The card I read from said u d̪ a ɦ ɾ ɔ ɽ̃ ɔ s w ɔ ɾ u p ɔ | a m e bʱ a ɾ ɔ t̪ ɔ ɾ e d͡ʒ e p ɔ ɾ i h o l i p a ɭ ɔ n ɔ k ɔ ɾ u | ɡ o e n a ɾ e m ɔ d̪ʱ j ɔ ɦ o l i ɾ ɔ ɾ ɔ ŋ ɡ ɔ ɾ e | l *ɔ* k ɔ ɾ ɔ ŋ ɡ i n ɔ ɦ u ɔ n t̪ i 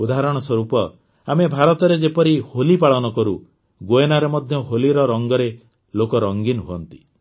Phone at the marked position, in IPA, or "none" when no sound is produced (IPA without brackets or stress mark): o